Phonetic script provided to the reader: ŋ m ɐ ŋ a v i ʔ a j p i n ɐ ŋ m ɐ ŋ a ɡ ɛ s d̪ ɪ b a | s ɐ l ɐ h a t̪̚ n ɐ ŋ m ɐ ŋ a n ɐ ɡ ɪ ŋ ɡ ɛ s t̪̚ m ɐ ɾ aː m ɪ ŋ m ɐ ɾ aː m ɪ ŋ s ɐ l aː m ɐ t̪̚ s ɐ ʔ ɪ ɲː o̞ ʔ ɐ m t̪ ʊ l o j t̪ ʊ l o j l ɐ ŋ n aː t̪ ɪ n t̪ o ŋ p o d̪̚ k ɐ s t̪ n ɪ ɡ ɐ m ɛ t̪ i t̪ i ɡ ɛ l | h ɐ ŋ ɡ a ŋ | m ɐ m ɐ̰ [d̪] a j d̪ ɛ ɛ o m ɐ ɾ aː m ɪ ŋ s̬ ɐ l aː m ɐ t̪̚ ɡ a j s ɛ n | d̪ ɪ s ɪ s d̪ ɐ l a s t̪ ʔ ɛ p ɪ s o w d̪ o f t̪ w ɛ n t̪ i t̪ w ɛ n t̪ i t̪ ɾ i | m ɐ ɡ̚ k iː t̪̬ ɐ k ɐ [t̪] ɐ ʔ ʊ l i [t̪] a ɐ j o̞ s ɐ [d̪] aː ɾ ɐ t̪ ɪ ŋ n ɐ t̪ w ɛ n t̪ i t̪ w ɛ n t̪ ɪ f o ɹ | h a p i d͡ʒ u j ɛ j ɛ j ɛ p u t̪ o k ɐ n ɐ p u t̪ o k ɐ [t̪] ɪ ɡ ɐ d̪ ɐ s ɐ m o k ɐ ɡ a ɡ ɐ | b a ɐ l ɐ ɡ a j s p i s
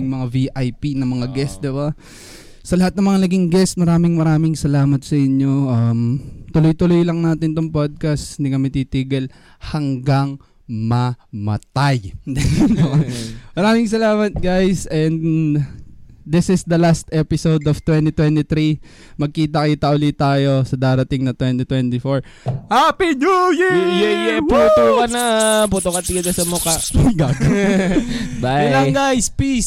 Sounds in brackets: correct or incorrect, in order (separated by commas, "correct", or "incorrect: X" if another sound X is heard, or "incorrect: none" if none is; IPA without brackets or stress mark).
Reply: incorrect: t̪, correct, correct, correct, correct